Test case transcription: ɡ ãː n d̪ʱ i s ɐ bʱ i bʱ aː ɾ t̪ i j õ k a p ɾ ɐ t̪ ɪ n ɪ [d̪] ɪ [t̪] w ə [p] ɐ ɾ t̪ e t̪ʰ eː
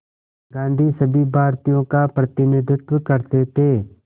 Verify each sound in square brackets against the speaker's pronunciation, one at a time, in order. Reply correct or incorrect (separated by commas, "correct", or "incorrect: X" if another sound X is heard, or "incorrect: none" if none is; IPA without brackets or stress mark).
correct, correct, incorrect: k